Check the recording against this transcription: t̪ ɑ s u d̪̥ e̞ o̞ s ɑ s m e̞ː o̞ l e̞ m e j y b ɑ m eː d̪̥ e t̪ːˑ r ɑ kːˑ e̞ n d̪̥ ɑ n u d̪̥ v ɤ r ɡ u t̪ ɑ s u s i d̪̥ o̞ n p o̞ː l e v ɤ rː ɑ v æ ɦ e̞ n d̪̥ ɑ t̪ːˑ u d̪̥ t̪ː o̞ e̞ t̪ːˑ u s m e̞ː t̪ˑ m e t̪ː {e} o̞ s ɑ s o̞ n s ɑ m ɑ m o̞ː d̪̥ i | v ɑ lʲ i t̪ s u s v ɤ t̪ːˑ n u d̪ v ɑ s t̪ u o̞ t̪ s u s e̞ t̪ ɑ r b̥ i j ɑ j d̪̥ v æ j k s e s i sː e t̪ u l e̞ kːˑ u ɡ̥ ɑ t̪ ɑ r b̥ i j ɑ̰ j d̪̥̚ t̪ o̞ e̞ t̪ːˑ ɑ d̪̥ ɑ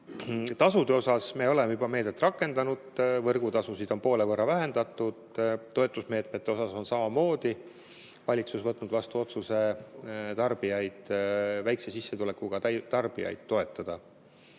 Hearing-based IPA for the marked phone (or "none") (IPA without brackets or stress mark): e